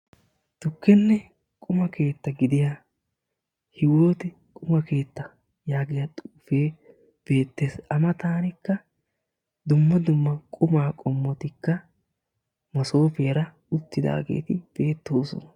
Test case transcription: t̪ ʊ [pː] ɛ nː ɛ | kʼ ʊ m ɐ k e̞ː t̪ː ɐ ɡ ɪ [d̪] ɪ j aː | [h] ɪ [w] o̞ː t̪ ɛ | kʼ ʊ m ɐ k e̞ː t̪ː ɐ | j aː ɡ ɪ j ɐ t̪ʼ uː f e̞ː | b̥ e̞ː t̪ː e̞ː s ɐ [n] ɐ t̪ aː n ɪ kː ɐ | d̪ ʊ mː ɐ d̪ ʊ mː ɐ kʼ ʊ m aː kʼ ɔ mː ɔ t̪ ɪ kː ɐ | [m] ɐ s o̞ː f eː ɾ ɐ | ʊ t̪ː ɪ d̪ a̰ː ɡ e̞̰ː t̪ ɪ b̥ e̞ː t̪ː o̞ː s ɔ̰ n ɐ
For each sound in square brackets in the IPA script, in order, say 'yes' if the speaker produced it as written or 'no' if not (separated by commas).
no, yes, yes, yes, no, yes